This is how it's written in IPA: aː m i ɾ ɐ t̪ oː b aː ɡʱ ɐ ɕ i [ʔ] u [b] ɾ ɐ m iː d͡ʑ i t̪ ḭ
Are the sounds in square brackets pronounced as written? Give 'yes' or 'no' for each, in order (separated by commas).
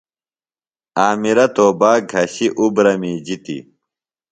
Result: yes, yes